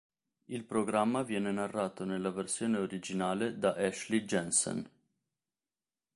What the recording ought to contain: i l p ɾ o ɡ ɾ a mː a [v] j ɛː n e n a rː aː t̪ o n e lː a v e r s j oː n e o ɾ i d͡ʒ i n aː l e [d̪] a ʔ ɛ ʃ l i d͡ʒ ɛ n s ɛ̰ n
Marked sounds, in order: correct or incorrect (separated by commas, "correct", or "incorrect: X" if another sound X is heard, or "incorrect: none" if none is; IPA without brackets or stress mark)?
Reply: correct, correct